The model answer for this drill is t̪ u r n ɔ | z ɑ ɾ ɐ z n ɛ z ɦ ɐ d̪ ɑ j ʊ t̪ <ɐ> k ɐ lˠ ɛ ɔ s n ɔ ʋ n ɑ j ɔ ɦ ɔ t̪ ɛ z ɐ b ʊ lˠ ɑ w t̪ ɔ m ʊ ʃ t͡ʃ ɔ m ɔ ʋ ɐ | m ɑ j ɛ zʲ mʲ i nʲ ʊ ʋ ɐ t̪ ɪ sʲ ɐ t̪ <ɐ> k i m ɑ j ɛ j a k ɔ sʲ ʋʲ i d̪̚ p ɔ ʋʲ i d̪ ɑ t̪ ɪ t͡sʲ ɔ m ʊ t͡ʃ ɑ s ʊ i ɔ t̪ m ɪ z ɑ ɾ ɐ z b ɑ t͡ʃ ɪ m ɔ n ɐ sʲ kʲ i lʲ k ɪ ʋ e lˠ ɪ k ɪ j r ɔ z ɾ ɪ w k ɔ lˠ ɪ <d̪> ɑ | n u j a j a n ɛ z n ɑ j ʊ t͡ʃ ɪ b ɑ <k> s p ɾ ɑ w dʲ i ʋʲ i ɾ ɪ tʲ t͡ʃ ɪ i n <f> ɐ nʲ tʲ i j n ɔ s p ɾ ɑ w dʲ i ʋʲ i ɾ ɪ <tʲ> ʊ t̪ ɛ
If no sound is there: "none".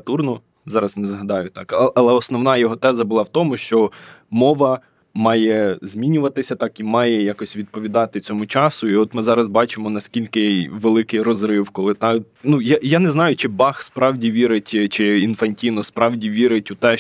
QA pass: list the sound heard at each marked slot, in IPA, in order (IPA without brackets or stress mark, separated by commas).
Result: ɑ, ɑ, t̪, x, f, tʲ